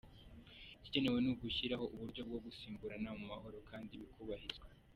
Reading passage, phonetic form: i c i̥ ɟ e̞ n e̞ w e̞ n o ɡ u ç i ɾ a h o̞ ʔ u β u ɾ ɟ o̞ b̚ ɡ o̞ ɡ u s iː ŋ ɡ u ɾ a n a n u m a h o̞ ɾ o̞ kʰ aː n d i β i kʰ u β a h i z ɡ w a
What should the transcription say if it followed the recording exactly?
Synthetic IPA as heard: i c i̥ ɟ e̞ n e̞ w e̞ n u ɡ u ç i ɾ a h o̞ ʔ u β u ɾ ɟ o̞ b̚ ɡ o̞ ɡ u s iː ŋ ɡ u ɾ a n a m u m a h o̞ ɾ o̞ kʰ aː n d i β i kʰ u β a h i z ɡ w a